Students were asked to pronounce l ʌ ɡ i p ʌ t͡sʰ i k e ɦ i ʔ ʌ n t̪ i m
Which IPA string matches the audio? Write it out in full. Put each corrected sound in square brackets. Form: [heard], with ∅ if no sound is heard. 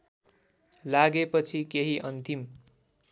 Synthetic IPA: l [a] ɡ [e] p ʌ t͡sʰ i k e ɦ i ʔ ʌ n t̪ i m